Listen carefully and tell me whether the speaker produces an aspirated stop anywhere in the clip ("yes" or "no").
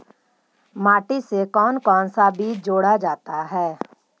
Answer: no